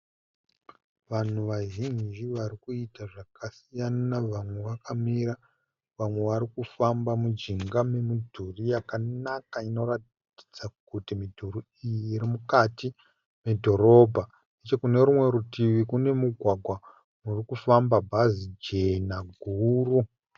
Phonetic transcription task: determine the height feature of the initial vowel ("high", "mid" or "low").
low